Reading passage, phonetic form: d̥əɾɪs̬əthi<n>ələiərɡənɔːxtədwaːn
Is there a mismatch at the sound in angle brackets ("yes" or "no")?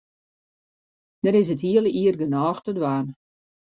yes